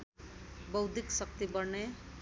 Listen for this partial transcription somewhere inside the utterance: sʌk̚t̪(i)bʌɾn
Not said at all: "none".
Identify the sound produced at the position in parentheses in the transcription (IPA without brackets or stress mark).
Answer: i